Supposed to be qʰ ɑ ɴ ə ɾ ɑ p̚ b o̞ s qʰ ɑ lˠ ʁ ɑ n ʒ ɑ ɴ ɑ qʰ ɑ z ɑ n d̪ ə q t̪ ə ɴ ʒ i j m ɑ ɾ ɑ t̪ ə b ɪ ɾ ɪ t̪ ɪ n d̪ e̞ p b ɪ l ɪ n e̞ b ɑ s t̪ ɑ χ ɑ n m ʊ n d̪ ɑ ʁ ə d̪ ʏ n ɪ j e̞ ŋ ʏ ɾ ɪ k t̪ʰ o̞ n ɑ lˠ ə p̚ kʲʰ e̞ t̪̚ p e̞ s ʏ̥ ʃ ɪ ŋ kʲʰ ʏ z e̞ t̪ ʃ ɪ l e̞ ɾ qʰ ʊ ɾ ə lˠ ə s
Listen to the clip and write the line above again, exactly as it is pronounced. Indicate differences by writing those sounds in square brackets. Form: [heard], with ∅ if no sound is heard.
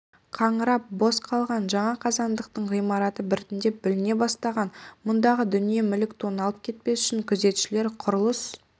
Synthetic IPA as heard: qʰ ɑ ɴ ə ɾ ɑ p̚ b o̞ s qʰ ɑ lˠ ʁ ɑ n ʒ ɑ ɴ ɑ qʰ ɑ z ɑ n d̪ ə q t̪ ə ɴ [ʁ] i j m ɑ ɾ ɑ t̪ ə b ɪ ɾ ɪ t̪ ɪ n d̪ e̞ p b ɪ l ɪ n e̞ b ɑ s t̪ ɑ [ʁ] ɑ n m ʊ n d̪ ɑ ʁ ə d̪ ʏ n [i] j e̞ [m] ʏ [l] ɪ k t̪ʰ o̞ n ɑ lˠ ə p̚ kʲʰ e̞ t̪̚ p e̞ s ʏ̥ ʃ ɪ ŋ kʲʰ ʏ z e̞ t̪ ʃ ɪ l e̞ ɾ qʰ ʊ ɾ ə lˠ ə s